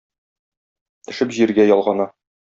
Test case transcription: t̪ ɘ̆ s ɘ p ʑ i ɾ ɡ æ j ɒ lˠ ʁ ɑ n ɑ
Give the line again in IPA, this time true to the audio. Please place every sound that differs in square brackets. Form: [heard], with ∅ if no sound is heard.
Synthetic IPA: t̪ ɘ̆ [ʃ] ɘ p ʑ i ɾ ɡ æ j ɒ lˠ ʁ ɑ n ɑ